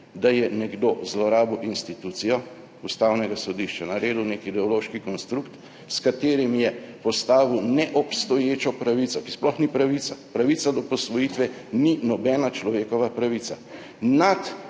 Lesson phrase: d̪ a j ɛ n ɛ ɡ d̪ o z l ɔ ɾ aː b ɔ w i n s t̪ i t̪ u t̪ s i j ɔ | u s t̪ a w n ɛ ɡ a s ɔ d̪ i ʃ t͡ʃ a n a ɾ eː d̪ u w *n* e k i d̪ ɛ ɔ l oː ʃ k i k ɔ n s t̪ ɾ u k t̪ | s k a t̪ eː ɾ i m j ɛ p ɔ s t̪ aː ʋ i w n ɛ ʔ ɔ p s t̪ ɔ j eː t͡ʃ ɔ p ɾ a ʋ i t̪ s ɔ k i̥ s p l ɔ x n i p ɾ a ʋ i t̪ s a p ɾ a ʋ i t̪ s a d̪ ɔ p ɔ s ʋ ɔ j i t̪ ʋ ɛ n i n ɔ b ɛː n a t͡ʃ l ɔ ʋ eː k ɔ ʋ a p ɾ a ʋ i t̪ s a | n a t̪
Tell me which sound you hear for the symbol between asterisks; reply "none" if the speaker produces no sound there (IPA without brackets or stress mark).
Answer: n